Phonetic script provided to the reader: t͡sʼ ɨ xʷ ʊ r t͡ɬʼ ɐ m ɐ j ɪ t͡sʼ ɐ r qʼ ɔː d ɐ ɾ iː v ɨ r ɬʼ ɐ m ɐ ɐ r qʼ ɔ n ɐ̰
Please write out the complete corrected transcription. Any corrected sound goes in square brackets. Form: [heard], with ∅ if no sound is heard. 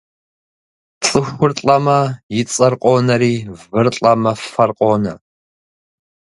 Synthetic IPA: t͡sʼ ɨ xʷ ʊ r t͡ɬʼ ɐ m ɐ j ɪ t͡sʼ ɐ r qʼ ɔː [n] ɐ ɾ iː v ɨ r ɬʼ ɐ m ɐ ɐ r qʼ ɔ n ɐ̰